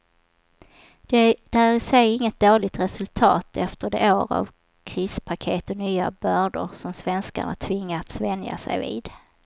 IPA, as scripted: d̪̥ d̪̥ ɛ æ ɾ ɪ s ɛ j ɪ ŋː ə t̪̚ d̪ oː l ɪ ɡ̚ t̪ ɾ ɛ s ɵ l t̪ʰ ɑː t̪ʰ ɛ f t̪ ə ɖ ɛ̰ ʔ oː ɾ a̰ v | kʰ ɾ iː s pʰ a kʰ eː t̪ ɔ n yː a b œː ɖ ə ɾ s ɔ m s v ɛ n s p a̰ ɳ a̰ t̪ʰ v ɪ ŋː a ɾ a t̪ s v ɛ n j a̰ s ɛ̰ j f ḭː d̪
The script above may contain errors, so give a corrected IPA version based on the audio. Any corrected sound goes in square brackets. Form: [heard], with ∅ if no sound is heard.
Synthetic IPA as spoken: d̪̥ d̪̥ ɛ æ ɾ ɪ s ɛ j ɪ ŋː ə t̪̚ d̪ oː l ɪ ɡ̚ t̪ ɾ ɛ s ɵ l t̪ʰ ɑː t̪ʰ ɛ f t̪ ə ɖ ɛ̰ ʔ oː ɾ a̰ v | kʰ ɾ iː s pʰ a kʰ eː t̪ ɔ n yː a b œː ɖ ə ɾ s ɔ m s v ɛ n s [k] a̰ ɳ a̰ t̪ʰ v ɪ ŋː a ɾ a t̪ s v ɛ n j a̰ s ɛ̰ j [v] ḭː d̪